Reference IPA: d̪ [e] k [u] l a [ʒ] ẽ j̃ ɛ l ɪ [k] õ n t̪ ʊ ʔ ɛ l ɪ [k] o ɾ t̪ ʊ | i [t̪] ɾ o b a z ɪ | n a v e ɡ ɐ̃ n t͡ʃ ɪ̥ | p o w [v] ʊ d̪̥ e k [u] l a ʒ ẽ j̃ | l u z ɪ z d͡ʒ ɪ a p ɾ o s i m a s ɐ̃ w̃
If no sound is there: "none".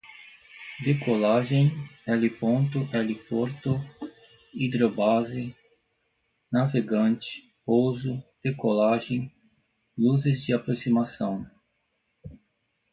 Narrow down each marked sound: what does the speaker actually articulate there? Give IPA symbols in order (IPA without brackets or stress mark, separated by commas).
e, o, ʒ, p, p, d̪, z, o